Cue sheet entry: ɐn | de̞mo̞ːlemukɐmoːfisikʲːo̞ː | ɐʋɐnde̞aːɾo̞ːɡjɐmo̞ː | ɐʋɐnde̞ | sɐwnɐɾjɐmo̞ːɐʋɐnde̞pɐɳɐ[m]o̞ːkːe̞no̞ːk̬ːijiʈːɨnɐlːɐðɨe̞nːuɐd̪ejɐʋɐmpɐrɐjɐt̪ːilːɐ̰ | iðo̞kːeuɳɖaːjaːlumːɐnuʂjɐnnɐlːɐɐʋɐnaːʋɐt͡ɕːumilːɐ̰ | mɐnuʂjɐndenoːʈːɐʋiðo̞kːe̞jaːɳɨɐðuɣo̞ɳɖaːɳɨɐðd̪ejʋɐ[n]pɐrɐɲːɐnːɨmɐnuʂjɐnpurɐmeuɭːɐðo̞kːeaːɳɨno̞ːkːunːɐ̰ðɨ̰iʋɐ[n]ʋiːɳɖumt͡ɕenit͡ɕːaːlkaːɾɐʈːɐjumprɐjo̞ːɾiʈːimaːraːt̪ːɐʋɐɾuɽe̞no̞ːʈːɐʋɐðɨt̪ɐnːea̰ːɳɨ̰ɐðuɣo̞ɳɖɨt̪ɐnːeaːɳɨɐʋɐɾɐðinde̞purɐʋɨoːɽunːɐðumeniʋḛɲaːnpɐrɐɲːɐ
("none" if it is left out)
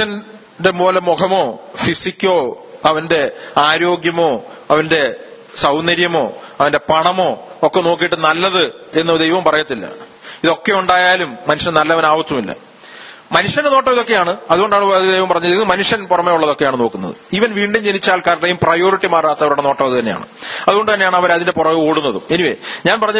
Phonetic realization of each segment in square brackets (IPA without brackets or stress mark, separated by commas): m, m, n